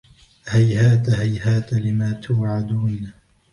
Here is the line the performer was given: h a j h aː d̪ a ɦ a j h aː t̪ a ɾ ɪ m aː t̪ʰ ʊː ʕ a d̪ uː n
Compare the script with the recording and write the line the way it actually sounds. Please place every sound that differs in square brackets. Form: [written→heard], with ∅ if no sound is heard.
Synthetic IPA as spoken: h a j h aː [d̪→t̪] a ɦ a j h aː t̪ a [ɾ→l] ɪ m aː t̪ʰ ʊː ʕ a d̪ uː n